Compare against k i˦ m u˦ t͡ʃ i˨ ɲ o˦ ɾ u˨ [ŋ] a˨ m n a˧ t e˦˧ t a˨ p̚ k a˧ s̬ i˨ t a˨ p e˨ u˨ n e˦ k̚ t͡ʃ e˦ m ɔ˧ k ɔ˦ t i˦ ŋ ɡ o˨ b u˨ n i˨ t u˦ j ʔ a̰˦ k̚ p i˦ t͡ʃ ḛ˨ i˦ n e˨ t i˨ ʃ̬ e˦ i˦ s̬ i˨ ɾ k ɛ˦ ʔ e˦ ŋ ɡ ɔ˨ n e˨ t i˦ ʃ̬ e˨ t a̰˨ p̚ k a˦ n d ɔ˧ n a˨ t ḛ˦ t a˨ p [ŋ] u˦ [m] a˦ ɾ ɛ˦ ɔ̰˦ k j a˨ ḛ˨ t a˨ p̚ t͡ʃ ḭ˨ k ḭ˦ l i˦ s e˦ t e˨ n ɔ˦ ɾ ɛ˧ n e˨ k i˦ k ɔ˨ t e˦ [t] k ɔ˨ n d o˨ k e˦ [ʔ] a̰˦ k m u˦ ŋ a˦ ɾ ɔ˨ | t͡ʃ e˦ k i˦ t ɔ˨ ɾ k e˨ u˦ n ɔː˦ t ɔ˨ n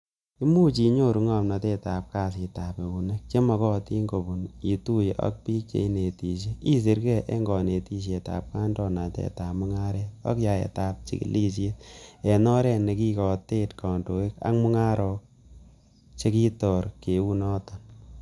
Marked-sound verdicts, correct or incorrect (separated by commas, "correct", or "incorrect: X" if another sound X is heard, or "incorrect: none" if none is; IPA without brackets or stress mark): correct, incorrect: m, incorrect: ŋ, correct, incorrect: k